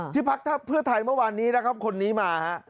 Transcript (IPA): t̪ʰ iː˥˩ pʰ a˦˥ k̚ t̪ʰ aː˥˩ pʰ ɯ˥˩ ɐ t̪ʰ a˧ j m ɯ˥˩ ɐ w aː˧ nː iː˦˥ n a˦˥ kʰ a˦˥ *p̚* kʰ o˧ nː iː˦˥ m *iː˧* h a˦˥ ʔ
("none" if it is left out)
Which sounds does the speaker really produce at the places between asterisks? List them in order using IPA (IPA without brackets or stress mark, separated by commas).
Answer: p̚, aː˧